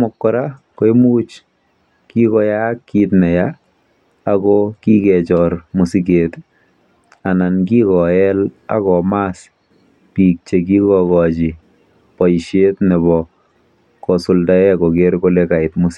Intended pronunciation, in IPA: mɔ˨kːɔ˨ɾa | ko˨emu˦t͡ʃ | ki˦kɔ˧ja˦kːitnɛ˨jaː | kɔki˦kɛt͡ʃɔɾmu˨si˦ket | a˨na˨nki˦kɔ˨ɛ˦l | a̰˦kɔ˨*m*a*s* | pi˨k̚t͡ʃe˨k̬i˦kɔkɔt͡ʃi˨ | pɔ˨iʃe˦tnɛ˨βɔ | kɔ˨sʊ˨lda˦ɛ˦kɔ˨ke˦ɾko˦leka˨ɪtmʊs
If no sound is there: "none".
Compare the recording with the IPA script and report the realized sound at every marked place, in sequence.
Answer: m, s

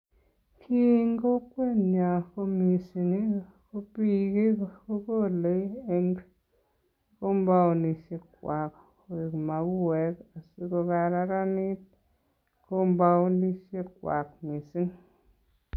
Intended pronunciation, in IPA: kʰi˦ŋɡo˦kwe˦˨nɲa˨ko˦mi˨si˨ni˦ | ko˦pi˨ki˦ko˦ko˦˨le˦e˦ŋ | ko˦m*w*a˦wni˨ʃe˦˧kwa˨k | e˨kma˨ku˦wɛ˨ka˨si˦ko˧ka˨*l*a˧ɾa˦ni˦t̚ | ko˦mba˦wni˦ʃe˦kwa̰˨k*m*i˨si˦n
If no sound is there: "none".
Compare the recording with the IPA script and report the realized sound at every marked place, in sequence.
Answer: b, ɾ, m

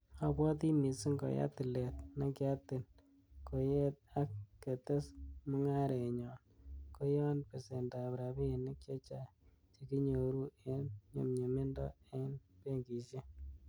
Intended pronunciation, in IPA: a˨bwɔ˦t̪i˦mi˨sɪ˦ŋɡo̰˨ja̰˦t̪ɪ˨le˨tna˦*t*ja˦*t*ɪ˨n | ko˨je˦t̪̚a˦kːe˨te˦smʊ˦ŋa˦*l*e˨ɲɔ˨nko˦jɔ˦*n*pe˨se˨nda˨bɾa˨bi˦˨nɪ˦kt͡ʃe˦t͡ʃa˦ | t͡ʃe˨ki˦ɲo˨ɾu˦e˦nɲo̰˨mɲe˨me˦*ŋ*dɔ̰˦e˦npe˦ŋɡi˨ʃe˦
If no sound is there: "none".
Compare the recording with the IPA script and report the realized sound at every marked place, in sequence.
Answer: k, t, ɾ, n, n

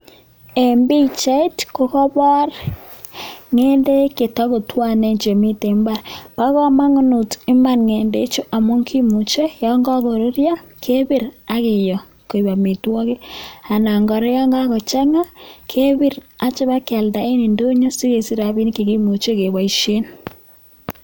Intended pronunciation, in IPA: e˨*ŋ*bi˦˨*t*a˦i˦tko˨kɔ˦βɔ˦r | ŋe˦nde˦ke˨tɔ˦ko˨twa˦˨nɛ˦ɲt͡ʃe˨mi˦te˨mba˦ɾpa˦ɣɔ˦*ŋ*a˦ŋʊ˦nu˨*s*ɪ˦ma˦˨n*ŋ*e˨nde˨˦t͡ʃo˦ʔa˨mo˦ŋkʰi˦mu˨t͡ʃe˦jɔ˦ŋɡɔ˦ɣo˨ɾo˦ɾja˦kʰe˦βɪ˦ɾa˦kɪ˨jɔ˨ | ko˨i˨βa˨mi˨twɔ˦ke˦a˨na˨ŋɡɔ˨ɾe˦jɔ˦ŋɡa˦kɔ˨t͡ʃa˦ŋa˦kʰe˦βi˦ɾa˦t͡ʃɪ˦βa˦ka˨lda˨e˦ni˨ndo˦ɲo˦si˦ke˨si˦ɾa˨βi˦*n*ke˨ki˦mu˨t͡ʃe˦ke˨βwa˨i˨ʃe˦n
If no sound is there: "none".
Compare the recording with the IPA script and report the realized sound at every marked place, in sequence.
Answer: m, t͡ʃ, m, t, ŋ, n

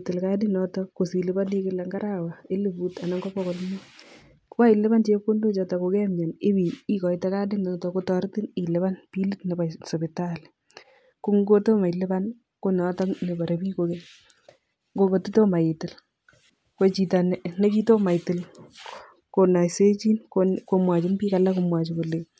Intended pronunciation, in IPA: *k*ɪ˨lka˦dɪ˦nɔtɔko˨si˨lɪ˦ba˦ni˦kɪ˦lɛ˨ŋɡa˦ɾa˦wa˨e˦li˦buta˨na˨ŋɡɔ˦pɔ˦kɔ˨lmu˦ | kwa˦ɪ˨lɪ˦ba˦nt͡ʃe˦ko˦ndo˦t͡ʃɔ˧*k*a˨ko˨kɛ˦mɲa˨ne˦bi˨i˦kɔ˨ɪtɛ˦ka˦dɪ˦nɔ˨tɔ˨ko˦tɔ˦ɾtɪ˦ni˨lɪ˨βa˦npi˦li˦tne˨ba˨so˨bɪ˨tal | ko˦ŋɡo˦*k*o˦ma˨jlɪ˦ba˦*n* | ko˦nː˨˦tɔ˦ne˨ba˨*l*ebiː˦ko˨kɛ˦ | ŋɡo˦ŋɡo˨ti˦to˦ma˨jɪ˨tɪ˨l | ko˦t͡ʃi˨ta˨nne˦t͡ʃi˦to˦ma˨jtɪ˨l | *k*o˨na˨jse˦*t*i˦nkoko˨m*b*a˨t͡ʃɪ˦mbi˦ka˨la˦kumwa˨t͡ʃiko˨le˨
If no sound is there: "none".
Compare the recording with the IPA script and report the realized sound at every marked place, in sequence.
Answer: t, t, t, n, ɾ, k, t͡ʃ, w

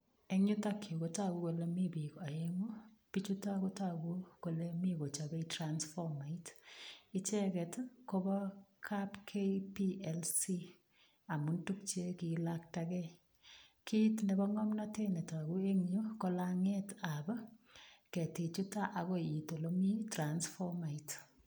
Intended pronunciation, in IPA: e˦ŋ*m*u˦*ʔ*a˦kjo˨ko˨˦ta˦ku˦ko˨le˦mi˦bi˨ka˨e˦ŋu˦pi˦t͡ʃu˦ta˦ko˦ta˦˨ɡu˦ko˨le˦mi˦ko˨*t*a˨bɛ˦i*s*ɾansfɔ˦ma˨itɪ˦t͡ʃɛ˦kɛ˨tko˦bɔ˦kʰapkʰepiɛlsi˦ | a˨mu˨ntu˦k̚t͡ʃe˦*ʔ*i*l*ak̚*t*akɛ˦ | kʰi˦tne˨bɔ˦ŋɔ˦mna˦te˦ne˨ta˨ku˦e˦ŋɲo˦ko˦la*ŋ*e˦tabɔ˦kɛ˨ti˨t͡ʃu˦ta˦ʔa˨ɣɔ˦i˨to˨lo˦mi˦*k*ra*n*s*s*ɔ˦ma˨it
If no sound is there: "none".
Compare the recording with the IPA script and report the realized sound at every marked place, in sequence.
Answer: ɲ, t, t͡ʃ, t, k, l, t, ŋ, t, n, f

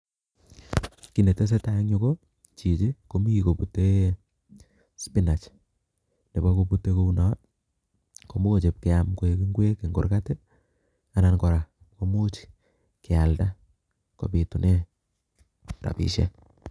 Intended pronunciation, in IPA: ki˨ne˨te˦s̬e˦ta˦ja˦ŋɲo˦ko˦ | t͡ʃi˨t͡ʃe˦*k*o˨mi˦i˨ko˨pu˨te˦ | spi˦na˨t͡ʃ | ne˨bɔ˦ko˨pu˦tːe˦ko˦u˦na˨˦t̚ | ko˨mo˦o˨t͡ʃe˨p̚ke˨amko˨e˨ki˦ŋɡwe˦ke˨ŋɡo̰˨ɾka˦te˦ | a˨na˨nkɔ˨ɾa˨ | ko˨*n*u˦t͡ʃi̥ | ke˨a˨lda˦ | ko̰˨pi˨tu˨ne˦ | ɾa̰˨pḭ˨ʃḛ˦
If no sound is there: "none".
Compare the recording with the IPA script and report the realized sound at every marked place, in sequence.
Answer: k, m

